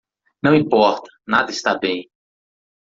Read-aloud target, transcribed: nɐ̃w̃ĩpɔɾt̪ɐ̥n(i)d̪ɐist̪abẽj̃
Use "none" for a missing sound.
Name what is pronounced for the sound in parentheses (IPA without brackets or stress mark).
a